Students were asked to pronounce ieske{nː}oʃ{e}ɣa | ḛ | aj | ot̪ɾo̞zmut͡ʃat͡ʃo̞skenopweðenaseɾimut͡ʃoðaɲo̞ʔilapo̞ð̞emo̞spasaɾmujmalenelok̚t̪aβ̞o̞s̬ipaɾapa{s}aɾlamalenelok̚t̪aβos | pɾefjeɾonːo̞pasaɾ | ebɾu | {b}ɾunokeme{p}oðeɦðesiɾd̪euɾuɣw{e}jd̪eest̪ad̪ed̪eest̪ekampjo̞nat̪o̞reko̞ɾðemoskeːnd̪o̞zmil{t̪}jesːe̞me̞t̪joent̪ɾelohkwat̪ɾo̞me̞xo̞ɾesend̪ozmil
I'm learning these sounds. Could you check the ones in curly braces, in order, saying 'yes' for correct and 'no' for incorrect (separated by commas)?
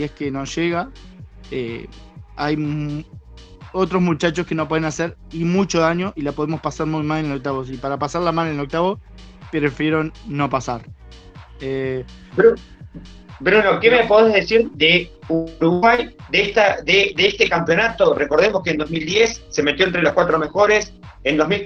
no, yes, yes, yes, yes, no, no